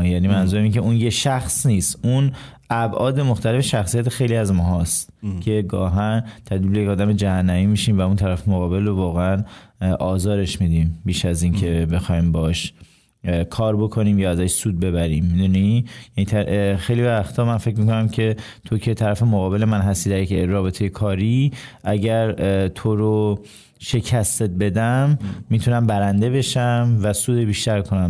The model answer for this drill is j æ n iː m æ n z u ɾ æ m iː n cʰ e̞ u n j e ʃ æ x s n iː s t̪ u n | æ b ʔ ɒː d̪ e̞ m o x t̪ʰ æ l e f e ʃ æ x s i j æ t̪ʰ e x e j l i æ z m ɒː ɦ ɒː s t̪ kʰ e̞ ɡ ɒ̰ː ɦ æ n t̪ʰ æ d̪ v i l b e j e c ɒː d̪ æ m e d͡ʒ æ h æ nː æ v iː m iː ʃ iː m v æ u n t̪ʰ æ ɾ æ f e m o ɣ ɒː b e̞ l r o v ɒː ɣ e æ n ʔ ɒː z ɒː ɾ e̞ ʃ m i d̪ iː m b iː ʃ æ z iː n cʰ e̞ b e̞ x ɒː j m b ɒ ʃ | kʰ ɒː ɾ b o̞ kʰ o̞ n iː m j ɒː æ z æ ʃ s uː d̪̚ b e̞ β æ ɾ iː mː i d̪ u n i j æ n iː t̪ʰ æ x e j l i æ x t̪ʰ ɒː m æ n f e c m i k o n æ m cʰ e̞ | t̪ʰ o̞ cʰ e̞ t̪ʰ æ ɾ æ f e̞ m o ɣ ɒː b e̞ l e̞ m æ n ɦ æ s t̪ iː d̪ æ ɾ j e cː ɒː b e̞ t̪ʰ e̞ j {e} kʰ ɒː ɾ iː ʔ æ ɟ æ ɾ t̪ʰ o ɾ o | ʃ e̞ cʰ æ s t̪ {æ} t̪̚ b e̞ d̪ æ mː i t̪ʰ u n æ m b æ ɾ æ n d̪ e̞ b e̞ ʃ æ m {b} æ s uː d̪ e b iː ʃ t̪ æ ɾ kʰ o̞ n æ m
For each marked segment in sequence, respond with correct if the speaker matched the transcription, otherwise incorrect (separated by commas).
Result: correct, incorrect, incorrect